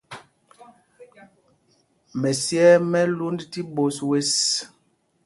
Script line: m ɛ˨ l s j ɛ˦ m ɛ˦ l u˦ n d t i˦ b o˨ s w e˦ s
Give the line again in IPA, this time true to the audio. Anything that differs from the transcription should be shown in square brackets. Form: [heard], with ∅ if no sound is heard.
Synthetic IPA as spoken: m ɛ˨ [∅] s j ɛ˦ m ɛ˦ l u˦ n d t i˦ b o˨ s w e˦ s